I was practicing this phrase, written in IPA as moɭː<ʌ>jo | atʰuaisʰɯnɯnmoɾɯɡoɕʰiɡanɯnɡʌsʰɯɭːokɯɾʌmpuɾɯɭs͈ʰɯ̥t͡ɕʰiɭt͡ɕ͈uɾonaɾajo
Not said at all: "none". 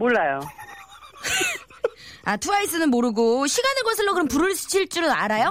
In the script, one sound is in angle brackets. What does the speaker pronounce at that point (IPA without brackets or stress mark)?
a